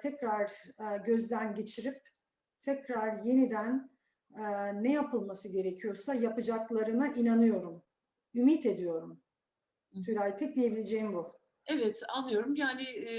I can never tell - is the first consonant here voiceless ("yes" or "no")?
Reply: yes